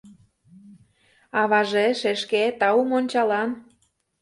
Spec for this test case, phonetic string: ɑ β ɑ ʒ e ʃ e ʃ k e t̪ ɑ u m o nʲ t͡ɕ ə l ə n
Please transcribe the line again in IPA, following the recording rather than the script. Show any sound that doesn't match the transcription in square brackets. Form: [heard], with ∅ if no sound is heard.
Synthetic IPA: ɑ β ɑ ʒ e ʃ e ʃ k e t̪ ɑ u m o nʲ t͡ɕ [ɑ] l [ɑ] n